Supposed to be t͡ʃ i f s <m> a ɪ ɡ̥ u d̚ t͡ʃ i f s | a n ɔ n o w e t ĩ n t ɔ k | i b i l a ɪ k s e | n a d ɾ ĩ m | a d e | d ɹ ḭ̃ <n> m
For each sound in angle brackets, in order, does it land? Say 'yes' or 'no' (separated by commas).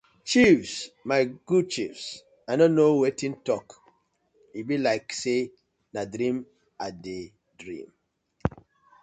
yes, no